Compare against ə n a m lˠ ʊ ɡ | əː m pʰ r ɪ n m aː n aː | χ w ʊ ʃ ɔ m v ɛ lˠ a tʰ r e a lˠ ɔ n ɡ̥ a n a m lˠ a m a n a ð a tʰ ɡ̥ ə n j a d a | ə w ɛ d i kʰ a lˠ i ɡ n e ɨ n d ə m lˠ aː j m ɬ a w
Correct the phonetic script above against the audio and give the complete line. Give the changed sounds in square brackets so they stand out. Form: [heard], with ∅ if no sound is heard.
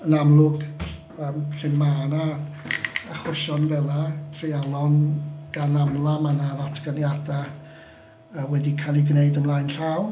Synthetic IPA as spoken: ə n a m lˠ ʊ ɡ | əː m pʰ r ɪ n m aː n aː | χ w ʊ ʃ ɔ [n] v ɛ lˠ a tʰ r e a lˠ ɔ n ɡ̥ a n a m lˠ a m a n a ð a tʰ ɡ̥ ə n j a d a | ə w ɛ d i kʰ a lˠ i ɡ n e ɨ [∅] d ə m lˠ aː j [n] ɬ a w

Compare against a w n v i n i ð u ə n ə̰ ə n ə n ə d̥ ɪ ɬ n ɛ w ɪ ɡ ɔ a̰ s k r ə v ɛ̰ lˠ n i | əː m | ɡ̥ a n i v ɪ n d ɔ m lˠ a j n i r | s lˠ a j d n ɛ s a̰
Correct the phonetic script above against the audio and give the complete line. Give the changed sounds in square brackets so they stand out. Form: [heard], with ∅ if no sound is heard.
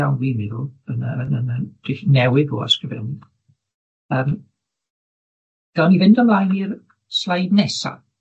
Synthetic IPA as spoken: a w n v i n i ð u ə n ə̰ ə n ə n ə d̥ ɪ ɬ n ɛ w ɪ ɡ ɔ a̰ s k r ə v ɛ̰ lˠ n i | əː m | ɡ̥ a n i v ɪ n d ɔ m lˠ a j n i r | s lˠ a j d n ɛ s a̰

